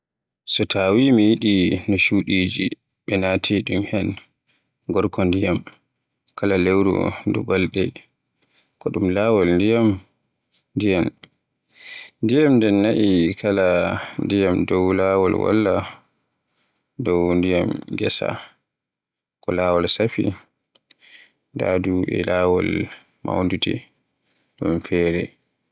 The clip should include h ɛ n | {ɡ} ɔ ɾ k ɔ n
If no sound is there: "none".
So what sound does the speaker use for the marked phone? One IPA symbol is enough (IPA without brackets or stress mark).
ɡ